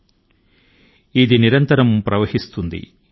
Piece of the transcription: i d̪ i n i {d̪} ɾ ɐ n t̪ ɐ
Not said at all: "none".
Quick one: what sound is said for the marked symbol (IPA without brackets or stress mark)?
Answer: none